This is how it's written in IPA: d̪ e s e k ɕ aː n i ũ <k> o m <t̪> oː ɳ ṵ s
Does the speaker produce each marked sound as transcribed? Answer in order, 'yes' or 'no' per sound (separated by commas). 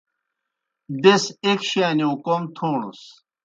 yes, no